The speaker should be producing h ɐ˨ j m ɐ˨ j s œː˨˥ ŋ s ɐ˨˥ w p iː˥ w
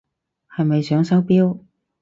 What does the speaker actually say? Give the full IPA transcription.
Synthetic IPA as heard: h ɐ˨ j m ɐ˨ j s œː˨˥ ŋ s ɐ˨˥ w p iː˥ w